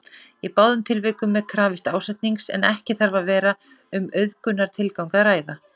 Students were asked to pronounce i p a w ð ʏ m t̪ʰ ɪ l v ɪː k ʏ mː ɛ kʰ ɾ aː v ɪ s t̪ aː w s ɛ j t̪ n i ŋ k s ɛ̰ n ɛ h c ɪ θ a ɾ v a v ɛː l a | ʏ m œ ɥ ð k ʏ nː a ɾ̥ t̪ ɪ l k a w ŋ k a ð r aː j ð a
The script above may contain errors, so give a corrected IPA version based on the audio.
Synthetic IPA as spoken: i p a w ð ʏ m t̪ʰ ɪ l v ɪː k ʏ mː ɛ kʰ ɾ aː v ɪ s t̪ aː w s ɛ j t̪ n i ŋ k s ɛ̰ n ɛ h c ɪ θ a ɾ v a v ɛː ɾ a | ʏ m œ ɥ ð k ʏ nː a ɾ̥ t̪ʰ ɪ l k a w ŋ k a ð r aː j ð a